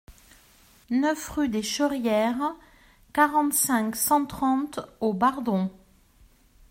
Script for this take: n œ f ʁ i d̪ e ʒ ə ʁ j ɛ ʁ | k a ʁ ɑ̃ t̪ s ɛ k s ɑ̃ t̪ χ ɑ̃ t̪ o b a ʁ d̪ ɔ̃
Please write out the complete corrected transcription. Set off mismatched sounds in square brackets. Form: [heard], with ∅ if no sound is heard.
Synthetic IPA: n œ f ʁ [y] d̪ e [ʃ] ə ʁ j ɛ ʁ | k a ʁ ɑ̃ t̪ s [ɛ̃] k s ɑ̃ t̪ χ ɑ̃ t̪ o b a ʁ d̪ ɔ̃